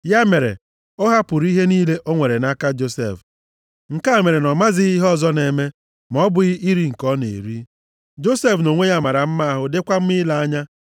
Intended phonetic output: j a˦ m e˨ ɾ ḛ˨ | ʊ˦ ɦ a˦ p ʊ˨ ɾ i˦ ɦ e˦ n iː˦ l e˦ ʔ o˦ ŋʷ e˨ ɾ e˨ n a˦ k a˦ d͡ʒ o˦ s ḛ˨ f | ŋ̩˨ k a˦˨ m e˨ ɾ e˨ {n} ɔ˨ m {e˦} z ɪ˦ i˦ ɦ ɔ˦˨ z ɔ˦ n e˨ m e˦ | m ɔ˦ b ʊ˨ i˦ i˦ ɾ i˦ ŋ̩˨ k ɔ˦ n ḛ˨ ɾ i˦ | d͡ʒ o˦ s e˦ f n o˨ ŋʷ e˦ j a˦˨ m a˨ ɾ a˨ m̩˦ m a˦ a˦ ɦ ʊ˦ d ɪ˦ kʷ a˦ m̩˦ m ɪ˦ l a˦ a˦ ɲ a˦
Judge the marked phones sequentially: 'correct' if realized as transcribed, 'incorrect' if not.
correct, incorrect

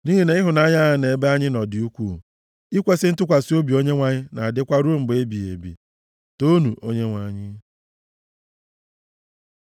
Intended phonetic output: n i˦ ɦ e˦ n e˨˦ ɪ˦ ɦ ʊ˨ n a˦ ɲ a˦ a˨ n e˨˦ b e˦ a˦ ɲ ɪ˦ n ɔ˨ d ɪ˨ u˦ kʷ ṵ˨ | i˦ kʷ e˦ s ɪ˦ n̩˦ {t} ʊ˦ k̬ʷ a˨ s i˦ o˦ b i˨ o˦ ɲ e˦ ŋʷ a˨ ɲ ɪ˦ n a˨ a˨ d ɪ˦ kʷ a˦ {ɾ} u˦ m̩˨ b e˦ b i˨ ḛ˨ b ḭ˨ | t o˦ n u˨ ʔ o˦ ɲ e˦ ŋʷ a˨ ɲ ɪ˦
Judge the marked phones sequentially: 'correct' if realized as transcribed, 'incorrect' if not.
correct, correct

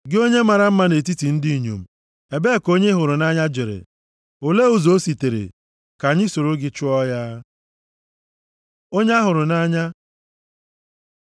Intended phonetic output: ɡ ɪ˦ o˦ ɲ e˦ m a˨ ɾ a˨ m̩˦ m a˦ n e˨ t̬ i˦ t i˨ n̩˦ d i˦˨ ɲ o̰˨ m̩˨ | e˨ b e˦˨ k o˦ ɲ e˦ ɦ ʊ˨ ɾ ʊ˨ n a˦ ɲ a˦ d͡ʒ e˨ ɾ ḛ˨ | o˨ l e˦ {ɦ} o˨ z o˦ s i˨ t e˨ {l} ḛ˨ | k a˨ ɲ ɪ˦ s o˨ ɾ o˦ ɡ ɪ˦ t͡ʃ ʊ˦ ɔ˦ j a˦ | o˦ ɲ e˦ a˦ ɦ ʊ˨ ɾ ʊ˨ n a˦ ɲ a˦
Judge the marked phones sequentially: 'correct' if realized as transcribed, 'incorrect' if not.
incorrect, incorrect

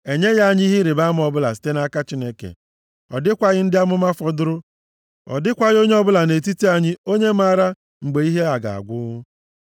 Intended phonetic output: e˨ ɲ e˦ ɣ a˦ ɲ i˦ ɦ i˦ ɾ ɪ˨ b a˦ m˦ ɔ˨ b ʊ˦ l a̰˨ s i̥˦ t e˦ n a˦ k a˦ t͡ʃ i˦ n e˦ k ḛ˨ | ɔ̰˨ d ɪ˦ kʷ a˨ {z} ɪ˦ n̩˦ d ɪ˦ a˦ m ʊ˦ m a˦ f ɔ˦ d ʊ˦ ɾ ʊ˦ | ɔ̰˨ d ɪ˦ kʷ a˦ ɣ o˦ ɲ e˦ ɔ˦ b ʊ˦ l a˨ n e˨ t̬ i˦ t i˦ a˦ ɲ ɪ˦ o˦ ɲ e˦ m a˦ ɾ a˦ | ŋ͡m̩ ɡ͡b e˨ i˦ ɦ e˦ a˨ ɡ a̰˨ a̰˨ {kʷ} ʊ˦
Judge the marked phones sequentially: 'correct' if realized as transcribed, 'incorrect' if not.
incorrect, incorrect

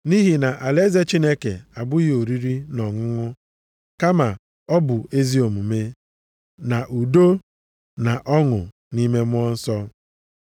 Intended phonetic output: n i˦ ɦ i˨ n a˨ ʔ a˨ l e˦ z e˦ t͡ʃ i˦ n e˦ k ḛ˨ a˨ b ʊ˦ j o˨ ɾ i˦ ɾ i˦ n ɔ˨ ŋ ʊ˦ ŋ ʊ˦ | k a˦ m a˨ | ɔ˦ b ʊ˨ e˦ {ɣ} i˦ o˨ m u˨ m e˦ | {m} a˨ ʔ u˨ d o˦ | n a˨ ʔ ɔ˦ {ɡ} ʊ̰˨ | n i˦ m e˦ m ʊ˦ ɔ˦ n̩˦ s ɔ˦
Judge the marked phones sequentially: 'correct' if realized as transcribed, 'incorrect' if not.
incorrect, incorrect, incorrect

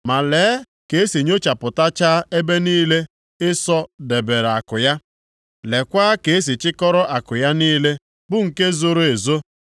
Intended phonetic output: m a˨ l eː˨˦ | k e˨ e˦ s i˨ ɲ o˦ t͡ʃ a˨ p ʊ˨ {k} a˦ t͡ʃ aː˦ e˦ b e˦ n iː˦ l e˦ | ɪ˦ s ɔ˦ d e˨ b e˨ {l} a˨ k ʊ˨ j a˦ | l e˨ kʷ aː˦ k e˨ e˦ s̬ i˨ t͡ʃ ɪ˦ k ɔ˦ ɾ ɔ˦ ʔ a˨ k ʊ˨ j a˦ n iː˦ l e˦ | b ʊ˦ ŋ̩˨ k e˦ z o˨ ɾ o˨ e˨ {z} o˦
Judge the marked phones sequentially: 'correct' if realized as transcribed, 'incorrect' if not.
incorrect, incorrect, correct

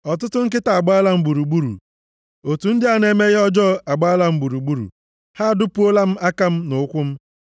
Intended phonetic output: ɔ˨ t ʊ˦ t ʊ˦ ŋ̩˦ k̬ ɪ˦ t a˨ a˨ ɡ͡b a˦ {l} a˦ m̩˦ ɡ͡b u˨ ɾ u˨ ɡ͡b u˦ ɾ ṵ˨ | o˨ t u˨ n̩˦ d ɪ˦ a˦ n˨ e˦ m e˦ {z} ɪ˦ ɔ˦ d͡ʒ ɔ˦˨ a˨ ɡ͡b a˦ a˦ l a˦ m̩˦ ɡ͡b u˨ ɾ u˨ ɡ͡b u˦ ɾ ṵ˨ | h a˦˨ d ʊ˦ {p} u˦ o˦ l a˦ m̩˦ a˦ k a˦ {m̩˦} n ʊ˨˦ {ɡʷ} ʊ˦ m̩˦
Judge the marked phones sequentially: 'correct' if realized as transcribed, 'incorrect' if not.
correct, incorrect, correct, correct, incorrect

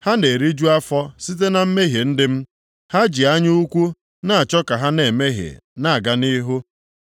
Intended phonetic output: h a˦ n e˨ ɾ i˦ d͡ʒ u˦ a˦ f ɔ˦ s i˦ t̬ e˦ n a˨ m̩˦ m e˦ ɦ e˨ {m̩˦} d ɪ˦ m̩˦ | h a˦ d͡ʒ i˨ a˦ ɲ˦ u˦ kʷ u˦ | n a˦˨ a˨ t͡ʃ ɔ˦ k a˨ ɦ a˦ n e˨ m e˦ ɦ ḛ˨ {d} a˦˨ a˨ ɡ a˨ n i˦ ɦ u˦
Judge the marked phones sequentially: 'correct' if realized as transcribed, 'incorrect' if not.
incorrect, incorrect

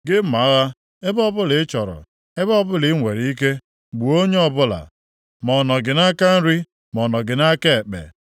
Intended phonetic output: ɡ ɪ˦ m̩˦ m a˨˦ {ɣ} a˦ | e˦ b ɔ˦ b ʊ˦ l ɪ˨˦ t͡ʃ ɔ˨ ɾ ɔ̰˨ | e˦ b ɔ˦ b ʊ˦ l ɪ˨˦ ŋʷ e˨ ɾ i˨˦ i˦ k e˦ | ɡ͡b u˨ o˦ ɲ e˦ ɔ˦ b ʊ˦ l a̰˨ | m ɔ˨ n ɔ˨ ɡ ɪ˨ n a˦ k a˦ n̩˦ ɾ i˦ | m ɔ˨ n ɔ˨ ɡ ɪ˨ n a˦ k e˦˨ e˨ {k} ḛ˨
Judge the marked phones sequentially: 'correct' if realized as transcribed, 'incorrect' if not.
correct, incorrect

